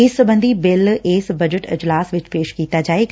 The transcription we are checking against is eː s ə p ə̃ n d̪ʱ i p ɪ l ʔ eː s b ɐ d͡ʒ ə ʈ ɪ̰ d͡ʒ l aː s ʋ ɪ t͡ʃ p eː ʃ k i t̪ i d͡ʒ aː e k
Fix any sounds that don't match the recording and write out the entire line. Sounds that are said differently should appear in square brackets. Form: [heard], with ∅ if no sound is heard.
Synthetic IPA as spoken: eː s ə [b] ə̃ n d̪ʱ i [b] ɪ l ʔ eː s b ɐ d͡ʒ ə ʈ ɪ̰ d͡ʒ l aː s ʋ ɪ t͡ʃ p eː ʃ k [iː] t̪ [a] d͡ʒ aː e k

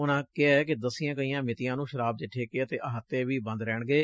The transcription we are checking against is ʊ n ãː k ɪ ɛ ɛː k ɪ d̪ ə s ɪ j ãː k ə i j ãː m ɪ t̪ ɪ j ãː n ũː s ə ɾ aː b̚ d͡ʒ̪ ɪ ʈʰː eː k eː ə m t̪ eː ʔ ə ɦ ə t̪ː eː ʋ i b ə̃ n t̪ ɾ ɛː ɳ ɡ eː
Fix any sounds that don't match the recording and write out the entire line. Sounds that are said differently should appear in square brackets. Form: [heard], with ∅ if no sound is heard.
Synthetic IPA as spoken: ʊ n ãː k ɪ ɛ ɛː k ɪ d̪ ə s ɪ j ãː k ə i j ãː m ɪ t̪ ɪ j ãː n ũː [ʃ] ə ɾ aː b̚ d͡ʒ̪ ɪ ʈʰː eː k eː ə [∅] t̪ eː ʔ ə ɦ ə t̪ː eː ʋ [iː] b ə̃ n [d̪] ɾ ɛː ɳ ɡ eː

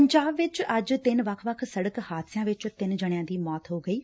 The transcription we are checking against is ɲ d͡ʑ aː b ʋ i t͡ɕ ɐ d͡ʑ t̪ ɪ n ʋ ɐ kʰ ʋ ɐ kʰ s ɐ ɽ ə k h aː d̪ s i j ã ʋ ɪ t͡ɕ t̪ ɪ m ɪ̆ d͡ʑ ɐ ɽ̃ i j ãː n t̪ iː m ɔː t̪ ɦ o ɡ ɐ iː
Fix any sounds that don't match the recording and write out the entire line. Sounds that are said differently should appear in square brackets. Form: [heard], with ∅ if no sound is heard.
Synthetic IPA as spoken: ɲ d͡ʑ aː b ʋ [ɪ] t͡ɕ ɐ d͡ʑ t̪ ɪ n ʋ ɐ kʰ ʋ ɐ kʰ s ɐ ɽ ə k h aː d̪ s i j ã ʋ ɪ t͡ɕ t̪ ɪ [n] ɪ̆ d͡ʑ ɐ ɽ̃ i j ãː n [d̪] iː m ɔː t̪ ɦ o ɡ ɐ iː

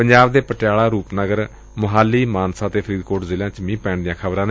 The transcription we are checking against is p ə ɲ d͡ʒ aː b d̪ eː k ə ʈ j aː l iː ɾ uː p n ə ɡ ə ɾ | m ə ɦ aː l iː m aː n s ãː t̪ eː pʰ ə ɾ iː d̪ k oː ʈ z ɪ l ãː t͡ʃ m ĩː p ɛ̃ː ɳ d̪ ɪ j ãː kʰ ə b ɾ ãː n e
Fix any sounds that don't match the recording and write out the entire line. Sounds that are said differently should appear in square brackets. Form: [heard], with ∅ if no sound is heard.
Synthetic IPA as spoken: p ə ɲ d͡ʒ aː b d̪ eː [p] ə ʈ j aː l [aː] ɾ uː p n ə ɡ ə ɾ | m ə ɦ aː l iː m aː n s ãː t̪ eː pʰ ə ɾ iː d̪ k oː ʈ z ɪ l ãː t͡ʃ m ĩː p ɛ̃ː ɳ d̪ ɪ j ãː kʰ ə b ɾ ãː n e

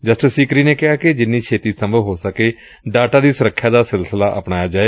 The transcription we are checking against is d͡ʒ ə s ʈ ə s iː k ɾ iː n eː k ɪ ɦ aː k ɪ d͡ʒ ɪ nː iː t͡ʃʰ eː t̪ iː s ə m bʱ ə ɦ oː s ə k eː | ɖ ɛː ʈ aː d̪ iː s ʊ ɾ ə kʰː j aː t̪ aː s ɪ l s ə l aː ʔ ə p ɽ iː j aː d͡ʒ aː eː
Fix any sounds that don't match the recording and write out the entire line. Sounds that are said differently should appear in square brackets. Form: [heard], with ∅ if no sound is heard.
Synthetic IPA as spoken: d͡ʒ ə s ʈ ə s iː k ɾ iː n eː k ɪ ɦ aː k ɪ d͡ʒ ɪ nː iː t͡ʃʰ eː t̪ iː s ə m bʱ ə ɦ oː s ə k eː | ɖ [aː] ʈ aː d̪ iː s ʊ ɾ ə kʰː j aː [d̪] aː s ɪ l s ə l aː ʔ ə p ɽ [aː] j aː d͡ʒ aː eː

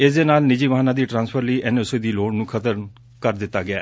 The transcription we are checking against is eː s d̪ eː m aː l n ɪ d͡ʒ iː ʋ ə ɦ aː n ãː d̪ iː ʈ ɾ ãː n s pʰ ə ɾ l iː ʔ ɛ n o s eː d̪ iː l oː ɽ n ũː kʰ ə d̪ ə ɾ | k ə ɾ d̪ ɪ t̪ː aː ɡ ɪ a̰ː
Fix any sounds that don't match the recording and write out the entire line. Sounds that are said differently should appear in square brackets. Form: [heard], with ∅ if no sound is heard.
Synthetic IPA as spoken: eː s d̪ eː [n] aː l n ɪ d͡ʒ iː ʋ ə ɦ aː n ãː d̪ iː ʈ ɾ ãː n s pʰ ə ɾ l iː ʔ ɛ n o s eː d̪ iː l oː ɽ n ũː kʰ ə [t̪] ə ɾ | k ə ɾ d̪ ɪ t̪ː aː ɡ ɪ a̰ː

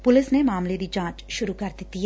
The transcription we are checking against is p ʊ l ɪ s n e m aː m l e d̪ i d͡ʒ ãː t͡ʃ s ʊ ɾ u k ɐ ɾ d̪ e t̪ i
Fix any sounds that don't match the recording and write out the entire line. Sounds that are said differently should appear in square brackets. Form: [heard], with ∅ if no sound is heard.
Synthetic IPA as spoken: p ʊ l ɪ s n e m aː m l e d̪ i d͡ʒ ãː t͡ʃ [ʃ] ʊ ɾ u k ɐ ɾ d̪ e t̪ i

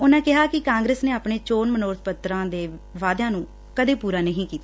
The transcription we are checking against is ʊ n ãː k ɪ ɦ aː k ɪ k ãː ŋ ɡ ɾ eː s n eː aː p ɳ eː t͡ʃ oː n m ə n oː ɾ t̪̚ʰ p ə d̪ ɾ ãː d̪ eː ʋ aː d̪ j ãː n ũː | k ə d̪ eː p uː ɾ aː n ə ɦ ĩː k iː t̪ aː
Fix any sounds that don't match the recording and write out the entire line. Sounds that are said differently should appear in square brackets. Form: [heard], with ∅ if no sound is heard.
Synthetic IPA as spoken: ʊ n ãː k ɪ ɦ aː k ɪ k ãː ŋ ɡ ɾ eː s n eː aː p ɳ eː t͡ʃ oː n m ə n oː ɾ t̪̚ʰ p ə [t̪] ɾ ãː d̪ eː ʋ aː d̪ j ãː n ũː | k ə d̪ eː p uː ɾ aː n ə ɦ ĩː k iː t̪ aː

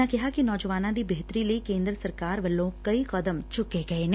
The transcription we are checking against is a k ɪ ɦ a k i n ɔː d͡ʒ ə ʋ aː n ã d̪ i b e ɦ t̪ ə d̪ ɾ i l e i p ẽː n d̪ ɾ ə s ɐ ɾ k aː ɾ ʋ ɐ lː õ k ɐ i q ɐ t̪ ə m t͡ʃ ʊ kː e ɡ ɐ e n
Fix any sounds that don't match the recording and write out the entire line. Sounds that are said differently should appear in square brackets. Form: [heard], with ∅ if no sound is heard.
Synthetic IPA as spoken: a k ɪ ɦ a k i n ɔː d͡ʒ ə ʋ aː n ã d̪ i b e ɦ t̪ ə [∅] ɾ i l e i [k] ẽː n d̪ ɾ ə s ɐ ɾ k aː ɾ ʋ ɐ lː õ k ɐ i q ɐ [d̪] ə m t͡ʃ ʊ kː e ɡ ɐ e n

